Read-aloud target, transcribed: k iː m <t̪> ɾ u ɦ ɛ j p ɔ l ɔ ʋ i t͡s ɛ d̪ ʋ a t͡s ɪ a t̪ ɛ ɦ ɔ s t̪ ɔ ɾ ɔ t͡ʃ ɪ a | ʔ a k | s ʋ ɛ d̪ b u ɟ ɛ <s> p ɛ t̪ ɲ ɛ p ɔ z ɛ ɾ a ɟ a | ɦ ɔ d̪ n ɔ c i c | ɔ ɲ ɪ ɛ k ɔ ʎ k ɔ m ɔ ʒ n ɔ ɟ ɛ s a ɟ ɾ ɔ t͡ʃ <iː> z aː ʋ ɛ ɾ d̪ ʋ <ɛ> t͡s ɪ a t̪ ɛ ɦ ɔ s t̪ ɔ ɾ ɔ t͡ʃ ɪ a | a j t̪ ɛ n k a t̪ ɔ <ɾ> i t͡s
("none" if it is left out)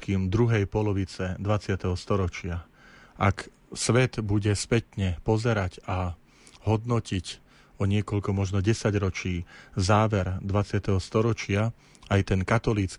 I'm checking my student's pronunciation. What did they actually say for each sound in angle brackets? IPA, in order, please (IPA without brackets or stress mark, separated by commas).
d̪, s, iː, a, l